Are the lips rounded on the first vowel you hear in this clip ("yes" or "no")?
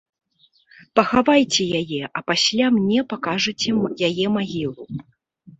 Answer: no